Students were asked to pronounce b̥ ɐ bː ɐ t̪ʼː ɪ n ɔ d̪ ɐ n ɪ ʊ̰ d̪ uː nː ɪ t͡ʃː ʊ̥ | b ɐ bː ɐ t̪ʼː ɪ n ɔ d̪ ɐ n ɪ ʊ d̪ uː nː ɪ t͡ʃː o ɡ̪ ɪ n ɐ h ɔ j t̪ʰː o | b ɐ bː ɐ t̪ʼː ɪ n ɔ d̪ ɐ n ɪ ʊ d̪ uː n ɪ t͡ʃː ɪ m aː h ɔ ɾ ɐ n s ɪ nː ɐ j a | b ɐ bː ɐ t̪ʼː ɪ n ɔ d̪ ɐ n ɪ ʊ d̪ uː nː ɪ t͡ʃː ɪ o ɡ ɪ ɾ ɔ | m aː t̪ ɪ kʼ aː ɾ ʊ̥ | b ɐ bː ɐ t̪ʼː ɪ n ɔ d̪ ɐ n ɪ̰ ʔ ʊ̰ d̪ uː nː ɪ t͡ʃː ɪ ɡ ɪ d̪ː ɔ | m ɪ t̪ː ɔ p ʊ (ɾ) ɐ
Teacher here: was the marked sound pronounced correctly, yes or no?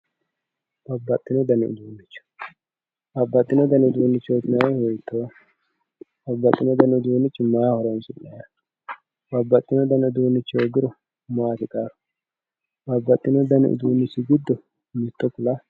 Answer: no